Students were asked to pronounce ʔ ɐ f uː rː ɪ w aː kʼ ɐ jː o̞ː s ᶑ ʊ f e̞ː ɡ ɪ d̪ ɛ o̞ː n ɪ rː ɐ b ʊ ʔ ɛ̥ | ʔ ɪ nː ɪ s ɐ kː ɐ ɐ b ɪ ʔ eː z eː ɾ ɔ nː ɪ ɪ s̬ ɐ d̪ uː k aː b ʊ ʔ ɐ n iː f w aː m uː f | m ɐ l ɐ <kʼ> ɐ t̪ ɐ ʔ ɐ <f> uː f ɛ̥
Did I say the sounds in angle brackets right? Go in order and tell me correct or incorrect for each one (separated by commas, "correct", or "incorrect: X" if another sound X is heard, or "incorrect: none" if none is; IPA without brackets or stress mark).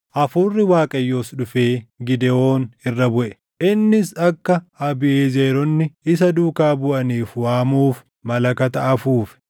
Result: incorrect: k, correct